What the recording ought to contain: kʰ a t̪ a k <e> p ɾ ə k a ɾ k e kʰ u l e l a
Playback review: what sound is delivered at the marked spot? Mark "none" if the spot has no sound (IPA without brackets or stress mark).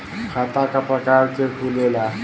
a